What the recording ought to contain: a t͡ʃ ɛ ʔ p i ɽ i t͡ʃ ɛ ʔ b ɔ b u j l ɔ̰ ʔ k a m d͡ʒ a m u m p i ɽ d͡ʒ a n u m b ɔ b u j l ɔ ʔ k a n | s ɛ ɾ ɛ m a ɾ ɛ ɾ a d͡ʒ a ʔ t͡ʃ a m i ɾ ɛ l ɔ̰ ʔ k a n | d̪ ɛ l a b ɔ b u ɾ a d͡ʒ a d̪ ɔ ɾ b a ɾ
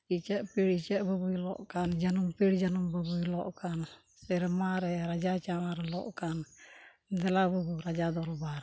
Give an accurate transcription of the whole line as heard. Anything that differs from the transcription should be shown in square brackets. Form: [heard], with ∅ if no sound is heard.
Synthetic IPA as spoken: [i] t͡ʃ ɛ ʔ p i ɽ i t͡ʃ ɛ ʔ b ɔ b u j l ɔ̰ ʔ k a [n] d͡ʒ a [n] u m p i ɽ d͡ʒ a n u m b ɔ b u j l ɔ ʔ k a n | s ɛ ɾ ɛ m a ɾ ɛ ɾ a d͡ʒ a [∅] t͡ʃ a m [a] ɾ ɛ l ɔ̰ ʔ k a n | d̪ ɛ l a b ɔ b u ɾ a d͡ʒ a d̪ ɔ ɾ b a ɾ

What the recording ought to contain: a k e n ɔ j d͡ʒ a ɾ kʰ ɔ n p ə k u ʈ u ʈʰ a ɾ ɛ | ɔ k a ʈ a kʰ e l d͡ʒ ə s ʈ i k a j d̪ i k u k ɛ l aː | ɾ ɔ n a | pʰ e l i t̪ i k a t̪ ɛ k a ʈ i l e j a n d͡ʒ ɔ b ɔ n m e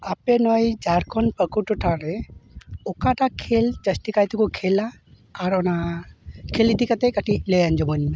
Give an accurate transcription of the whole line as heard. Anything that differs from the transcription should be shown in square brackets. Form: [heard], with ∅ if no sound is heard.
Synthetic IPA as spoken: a [p] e n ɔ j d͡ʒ a ɾ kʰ ɔ n p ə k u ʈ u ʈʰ a ɾ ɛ | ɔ k a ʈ a kʰ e l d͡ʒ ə s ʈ i k a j [t̪] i k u [kʰ] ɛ l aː | ɾ ɔ n a | [kʰ] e l i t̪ i k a t̪ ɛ k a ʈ i l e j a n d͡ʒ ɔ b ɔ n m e

